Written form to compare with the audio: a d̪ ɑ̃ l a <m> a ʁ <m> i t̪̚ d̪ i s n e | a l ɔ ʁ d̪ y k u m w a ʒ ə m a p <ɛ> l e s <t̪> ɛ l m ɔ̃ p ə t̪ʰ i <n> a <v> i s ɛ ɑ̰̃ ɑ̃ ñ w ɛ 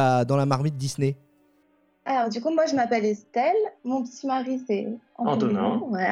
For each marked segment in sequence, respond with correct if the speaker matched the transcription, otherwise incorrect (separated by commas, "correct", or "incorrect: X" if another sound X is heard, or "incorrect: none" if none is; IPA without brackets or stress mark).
correct, correct, correct, correct, incorrect: m, incorrect: ʁ